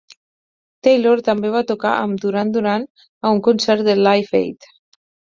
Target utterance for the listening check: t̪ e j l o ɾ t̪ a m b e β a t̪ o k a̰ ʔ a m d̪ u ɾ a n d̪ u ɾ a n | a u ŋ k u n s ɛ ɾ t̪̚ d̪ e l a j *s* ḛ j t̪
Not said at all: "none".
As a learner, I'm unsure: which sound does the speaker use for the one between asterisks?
f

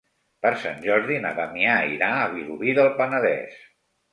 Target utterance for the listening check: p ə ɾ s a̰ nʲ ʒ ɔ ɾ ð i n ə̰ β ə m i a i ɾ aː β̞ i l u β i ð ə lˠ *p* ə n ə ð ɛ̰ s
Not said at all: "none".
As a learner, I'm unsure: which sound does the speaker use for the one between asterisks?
p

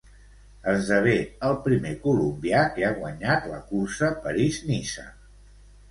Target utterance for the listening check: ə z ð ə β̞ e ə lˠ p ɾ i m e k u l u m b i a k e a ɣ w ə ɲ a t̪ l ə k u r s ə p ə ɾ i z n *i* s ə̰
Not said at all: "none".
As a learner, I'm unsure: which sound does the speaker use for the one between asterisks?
i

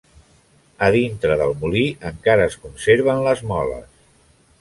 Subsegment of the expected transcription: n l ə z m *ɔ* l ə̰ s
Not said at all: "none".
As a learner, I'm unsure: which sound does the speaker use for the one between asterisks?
ɔ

